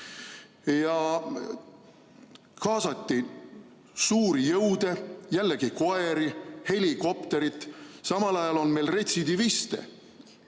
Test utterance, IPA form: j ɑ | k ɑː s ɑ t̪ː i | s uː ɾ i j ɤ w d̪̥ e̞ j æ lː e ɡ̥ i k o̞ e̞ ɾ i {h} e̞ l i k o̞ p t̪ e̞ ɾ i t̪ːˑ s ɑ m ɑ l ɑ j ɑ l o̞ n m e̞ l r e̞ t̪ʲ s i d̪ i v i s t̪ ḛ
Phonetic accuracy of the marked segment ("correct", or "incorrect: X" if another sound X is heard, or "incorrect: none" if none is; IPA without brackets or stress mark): correct